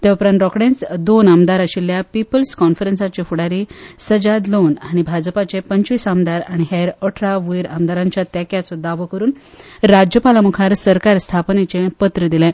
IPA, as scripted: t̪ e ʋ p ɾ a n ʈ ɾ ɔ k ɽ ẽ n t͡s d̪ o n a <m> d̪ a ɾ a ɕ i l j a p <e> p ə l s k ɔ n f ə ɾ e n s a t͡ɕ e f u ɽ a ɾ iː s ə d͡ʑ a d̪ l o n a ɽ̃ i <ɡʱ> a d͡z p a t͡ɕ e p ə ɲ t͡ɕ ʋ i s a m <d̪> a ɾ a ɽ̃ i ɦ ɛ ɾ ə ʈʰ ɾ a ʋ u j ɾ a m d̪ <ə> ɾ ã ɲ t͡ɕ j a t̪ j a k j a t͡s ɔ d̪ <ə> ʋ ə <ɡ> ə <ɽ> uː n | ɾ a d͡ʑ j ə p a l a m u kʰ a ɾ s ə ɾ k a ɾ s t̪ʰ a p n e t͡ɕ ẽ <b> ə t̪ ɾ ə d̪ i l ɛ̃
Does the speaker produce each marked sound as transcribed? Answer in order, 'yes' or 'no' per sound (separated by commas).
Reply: yes, no, no, yes, no, no, no, no, no